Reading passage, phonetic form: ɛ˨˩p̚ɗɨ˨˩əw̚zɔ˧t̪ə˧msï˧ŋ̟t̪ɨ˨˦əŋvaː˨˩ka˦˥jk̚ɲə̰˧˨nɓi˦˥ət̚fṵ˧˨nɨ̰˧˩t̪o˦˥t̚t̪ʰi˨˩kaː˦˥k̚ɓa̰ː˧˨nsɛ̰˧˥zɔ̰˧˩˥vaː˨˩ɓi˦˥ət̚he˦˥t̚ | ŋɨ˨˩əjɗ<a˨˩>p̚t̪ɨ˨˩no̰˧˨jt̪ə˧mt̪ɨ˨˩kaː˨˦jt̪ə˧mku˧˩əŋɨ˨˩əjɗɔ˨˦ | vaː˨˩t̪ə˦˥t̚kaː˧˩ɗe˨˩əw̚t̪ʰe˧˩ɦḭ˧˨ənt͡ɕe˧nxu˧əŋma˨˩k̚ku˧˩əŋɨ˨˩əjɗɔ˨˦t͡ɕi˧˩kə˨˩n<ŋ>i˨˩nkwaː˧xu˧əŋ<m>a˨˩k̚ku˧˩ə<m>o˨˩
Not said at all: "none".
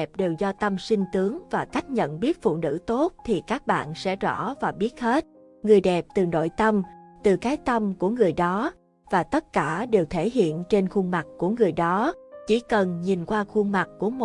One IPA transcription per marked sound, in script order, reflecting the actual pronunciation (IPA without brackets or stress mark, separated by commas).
ɛ˨˩, ɲ, m, m